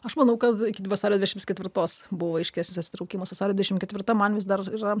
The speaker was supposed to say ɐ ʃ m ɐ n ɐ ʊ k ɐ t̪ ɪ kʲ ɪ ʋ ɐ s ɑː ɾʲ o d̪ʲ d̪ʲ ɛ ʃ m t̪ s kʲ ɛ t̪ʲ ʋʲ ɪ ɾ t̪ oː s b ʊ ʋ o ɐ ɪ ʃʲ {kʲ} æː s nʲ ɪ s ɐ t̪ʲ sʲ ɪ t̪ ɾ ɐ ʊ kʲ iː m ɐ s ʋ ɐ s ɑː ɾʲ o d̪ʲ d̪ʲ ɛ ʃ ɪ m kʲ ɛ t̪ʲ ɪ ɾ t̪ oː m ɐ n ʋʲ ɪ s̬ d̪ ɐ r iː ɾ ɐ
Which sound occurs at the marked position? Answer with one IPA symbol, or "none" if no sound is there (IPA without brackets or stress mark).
kʲ